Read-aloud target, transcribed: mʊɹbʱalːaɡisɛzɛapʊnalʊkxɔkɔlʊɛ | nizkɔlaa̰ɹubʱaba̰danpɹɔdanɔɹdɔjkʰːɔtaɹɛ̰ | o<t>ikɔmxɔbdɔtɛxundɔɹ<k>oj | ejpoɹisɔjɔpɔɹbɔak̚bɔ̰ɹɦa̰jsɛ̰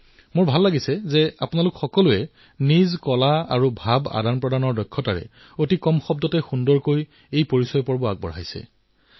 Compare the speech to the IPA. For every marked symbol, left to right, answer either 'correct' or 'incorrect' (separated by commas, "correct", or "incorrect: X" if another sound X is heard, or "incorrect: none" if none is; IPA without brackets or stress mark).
correct, correct